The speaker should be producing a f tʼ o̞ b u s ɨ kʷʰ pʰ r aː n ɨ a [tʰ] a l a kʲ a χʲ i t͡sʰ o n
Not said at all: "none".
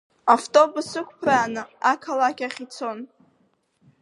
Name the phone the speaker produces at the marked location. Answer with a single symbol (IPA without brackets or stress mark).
kʰ